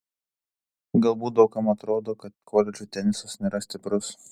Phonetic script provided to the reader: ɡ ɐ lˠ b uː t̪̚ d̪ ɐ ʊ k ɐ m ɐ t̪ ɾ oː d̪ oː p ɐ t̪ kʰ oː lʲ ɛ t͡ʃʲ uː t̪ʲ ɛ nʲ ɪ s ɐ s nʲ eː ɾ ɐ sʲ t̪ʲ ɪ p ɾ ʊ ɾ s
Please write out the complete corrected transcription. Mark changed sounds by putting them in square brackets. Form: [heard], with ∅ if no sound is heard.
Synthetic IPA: ɡ ɐ lˠ b uː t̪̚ d̪ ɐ ʊ k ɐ m ɐ t̪ ɾ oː d̪ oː [k] ɐ t̪ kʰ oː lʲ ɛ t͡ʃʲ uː t̪ʲ ɛ nʲ ɪ s ɐ s nʲ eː ɾ ɐ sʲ t̪ʲ ɪ p ɾ ʊ [∅] s